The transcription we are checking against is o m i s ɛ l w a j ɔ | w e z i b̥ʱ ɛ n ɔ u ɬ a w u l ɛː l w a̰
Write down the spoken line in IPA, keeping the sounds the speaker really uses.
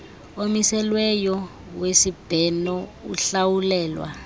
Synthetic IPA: o m i s ɛ l w ɛ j ɔ | w e s i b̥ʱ ɛ n ɔ u ɬ a w u l ɛː l w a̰